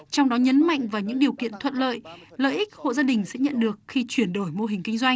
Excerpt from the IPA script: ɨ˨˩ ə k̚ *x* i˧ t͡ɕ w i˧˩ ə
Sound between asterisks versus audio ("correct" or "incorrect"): correct